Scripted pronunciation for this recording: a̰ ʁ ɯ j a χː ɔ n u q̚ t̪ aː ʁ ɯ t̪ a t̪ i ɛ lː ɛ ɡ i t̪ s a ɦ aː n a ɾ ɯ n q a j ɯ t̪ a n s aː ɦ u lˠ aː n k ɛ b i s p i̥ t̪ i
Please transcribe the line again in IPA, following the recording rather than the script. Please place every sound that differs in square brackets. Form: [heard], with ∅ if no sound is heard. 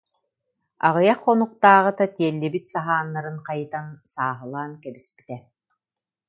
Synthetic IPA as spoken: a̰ ʁ ɯ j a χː ɔ n u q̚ t̪ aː ʁ ɯ t̪ a t̪ i ɛ lː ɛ [b] i t̪ s a ɦ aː [nː] a ɾ ɯ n q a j ɯ t̪ a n s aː ɦ [ɯ] lˠ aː n k ɛ b i s p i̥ t̪ [ɛ]